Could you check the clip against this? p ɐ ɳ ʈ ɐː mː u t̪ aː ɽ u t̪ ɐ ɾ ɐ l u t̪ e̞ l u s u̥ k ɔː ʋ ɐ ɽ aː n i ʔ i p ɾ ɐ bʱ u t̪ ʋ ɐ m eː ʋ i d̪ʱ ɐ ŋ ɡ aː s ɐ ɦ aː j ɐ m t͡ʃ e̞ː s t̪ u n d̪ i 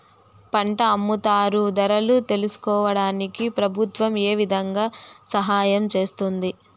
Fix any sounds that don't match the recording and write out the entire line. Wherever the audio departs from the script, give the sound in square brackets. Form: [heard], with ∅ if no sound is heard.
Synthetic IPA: p ɐ ɳ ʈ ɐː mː u t̪ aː [ɾ] u [d̪] ɐ ɾ ɐ l u t̪ e̞ l u s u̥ k ɔː ʋ ɐ ɽ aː n i [k] i p ɾ ɐ bʱ u t̪ ʋ ɐ m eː ʋ i d̪ʱ ɐ ŋ ɡ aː s ɐ ɦ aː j ɐ m t͡ʃ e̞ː s t̪ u n d̪ i